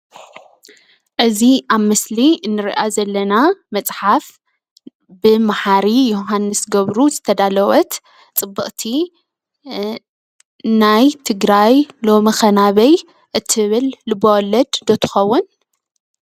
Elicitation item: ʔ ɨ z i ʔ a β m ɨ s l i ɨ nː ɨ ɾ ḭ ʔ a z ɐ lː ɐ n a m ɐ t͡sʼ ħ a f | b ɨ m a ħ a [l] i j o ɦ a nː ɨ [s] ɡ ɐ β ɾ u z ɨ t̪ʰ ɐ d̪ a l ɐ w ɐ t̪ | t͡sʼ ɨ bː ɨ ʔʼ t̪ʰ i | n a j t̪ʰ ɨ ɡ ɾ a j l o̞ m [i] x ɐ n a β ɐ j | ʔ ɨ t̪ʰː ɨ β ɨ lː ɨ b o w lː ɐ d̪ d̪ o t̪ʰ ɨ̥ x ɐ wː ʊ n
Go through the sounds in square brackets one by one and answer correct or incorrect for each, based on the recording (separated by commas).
incorrect, correct, correct